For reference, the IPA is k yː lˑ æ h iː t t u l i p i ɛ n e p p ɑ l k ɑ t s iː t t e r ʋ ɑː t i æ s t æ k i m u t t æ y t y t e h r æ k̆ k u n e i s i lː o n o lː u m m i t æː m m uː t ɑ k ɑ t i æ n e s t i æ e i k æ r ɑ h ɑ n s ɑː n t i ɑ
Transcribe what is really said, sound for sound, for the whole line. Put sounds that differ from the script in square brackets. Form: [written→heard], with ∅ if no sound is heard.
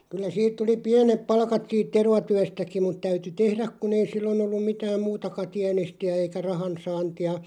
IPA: k [yː→y] lˑ æ [h→s] iː t t u l i p i [ɛ→æ] n e p p ɑ l k ɑ t s iː t t e r ʋ [ɑː→ɑ] t [i→y] æ s t æ k i m u t t æ y t y t e h r æ k̆ k u n e i s i lː o n o lː u m m i t æː m m uː t ɑ k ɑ t i æ n e s t i æ e i k æ r ɑ h ɑ n s ɑː n t i ɑ